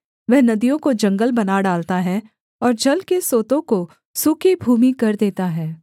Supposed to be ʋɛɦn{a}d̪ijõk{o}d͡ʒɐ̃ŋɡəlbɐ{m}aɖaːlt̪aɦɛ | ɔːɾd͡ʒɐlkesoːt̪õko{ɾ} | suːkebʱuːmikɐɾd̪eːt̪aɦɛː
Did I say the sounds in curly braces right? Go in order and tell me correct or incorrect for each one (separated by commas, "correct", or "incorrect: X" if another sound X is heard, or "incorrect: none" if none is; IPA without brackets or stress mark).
incorrect: ɐ, correct, incorrect: n, incorrect: none